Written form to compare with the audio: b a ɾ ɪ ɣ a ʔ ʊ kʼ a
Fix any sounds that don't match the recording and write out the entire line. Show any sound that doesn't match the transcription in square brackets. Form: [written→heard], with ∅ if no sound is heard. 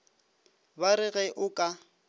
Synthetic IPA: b a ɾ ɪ ɣ [a→ɛ] ʔ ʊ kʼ a